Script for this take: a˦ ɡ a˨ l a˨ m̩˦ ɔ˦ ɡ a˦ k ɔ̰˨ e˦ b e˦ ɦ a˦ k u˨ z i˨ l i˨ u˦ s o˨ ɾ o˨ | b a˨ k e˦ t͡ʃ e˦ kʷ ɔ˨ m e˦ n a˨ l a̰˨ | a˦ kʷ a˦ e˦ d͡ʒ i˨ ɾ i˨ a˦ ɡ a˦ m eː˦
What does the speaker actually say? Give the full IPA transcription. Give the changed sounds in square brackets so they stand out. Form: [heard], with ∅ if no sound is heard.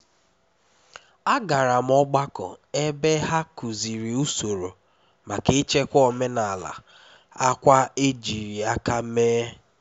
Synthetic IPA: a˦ ɡ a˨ [ɾ] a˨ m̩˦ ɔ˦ [ɡ͡b] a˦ k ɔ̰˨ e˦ b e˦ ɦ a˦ k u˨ z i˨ [ɾ] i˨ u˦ s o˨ ɾ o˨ | [m] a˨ k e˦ t͡ʃ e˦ kʷ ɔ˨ m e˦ n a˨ l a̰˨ | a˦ kʷ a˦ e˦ d͡ʒ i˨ ɾ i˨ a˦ [k] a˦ m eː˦